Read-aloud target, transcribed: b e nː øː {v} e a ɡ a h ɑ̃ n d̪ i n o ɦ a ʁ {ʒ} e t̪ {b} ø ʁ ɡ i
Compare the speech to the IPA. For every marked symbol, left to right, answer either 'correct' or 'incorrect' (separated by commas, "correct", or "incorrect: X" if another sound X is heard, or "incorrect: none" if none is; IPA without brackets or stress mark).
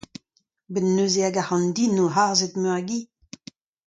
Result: incorrect: z, incorrect: z, incorrect: m